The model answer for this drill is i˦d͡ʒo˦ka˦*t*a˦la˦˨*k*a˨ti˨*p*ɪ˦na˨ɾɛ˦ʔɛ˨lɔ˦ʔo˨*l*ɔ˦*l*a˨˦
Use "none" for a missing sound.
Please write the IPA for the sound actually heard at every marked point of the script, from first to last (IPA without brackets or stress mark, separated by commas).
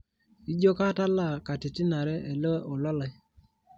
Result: t, k, t, l, l